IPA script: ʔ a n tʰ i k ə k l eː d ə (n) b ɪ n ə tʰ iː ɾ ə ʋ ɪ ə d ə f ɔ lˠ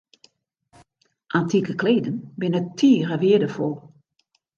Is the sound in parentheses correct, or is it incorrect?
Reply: correct